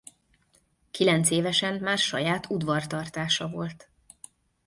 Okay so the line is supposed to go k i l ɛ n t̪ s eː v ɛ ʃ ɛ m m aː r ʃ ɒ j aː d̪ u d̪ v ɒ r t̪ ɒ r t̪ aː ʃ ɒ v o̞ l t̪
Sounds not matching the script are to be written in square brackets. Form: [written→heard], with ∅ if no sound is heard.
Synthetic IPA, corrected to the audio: k i l ɛ n t̪ s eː v ɛ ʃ ɛ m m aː r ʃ ɒ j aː [d̪→t̪] u d̪ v ɒ r t̪ ɒ r t̪ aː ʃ ɒ v o̞ l t̪